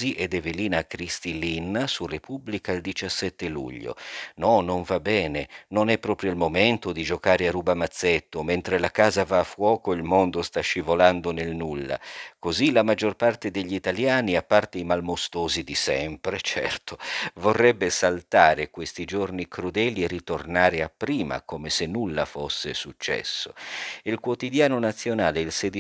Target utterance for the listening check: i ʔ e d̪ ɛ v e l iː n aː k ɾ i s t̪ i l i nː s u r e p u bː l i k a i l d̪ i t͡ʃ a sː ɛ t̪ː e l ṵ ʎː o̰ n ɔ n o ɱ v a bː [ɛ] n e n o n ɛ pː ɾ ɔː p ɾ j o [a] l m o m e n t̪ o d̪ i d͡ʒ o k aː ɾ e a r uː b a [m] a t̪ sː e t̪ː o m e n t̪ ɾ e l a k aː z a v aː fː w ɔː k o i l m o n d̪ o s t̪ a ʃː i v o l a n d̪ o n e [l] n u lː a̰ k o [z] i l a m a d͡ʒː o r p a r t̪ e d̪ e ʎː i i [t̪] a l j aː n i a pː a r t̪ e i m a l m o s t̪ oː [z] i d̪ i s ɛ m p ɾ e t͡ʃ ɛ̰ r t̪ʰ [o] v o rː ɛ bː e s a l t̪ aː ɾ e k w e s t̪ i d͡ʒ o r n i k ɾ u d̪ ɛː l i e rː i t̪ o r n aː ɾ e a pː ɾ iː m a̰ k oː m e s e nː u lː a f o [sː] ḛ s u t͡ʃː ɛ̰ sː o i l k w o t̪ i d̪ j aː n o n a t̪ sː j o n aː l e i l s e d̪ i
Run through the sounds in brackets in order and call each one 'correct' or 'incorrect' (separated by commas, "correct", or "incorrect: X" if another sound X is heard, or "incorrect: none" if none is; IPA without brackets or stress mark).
incorrect: ɛː, incorrect: i, correct, correct, correct, correct, correct, correct, correct